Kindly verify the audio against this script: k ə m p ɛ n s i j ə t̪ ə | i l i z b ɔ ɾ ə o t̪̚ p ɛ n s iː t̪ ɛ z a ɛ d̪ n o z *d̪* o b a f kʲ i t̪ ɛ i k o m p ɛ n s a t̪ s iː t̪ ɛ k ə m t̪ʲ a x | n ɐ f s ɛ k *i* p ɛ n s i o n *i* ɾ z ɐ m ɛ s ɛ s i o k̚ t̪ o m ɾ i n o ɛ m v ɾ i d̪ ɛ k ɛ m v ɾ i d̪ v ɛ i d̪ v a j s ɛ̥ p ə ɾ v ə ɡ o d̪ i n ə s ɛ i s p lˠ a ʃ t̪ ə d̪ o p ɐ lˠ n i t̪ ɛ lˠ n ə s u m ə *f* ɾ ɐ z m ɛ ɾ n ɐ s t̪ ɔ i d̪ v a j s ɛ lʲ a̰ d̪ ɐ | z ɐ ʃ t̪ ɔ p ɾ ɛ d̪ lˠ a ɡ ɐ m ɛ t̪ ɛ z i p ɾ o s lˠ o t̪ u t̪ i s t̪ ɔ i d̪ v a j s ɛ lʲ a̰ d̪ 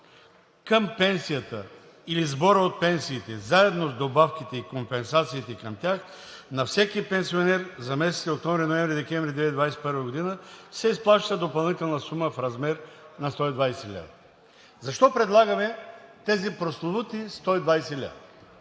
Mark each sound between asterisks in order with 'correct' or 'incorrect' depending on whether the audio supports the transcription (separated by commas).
correct, correct, incorrect, correct